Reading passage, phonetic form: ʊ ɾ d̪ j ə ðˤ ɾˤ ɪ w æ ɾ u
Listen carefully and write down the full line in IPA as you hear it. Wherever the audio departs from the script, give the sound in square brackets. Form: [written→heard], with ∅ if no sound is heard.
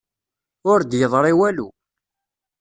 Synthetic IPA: ʊ ɾ d̪ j ə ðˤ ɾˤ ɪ w æ [ɾ→l] u

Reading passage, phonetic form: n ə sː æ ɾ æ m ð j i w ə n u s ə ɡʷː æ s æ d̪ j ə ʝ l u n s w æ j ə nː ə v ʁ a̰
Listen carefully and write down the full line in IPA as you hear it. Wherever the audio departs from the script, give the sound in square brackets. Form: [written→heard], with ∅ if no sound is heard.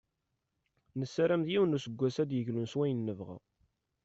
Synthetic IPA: n ə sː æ ɾ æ m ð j i w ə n u s ə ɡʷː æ s æ d̪ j ə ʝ l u n s w æ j ə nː ə v ʁ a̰

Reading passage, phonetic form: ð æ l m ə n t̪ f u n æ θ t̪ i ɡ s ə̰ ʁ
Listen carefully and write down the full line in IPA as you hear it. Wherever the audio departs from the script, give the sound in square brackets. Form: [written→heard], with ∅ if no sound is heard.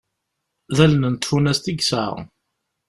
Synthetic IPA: ð æ l [m→n] ə n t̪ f u n æ [θ→s] t̪ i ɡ s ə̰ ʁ

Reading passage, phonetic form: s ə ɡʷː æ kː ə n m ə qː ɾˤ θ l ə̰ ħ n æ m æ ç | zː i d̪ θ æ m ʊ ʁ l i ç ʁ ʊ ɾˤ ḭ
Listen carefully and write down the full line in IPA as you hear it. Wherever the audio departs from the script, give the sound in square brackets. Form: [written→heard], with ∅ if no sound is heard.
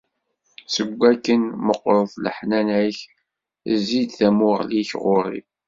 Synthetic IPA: s ə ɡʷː æ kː ə n m ə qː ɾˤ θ l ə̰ ħ n æ [m→n] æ ç | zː i d̪ θ æ m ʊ ʁ l i ç ʁ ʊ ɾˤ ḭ

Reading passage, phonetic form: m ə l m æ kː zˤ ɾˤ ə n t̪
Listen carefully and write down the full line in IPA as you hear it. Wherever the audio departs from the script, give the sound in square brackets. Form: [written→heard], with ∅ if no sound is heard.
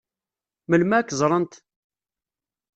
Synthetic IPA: m ə l m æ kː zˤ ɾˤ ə n t̪

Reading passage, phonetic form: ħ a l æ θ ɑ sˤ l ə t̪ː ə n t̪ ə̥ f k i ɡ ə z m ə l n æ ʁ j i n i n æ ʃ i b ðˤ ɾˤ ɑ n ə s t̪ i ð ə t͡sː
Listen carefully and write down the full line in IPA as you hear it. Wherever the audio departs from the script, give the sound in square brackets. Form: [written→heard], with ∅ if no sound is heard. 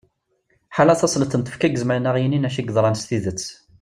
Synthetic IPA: ħ a l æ θ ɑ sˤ l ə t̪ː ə n t̪ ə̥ f k [i→æ] ɡ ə z m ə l n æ ʁ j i n i n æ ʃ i [b→ɡ] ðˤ ɾˤ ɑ n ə s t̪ i ð ə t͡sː

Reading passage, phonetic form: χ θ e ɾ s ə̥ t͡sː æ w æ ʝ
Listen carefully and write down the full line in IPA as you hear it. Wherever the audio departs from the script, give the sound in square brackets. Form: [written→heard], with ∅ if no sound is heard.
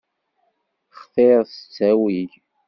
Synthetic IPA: χ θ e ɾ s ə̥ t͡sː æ w [æ→i] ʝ

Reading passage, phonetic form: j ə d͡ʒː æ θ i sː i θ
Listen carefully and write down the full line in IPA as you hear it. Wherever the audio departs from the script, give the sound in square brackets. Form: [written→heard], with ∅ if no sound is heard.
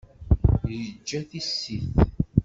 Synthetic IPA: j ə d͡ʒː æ θ i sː i θ

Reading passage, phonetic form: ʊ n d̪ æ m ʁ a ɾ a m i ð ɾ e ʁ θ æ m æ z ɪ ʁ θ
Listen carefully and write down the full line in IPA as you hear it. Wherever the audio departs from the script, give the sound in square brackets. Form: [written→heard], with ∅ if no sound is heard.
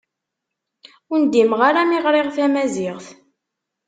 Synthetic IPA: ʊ n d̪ [æ→i] m ʁ a ɾ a m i [ð→ʁ] ɾ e ʁ θ æ m æ z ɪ ʁ θ

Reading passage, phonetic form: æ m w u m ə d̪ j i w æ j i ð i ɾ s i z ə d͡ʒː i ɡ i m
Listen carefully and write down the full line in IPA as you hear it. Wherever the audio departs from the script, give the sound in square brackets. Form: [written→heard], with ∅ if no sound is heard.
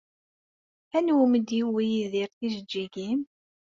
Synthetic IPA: æ [m→n] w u m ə d̪ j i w [æ→i] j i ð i ɾ [s→θ] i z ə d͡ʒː i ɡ i m

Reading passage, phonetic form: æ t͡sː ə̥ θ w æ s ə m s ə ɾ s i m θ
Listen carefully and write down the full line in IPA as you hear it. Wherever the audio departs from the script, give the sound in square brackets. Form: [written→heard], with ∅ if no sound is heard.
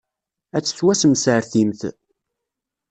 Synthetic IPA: æ t͡sː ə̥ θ w æ s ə m s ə ɾ [s→θ] i m θ

